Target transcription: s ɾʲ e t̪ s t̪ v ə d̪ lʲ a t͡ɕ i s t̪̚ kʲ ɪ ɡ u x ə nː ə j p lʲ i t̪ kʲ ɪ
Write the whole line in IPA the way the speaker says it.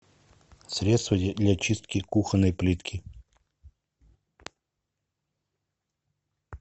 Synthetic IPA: s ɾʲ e t̪ s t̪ v ə d̪ lʲ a t͡ɕ i s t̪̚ kʲ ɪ k u x ə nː ə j p lʲ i t̪ kʲ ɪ